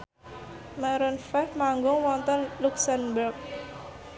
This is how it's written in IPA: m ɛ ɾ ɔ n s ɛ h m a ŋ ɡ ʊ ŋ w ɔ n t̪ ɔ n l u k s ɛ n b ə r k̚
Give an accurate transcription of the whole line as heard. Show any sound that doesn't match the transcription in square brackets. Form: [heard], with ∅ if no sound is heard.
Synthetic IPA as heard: m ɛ ɾ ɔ n [f] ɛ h m a ŋ ɡ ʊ ŋ w ɔ n t̪ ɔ n l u k s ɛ n b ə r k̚